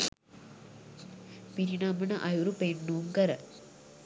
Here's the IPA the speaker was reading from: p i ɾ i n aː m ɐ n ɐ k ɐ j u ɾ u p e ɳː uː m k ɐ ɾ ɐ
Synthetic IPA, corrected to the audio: p i ɾ i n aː m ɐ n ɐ ʔ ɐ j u ɾ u p e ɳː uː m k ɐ ɾ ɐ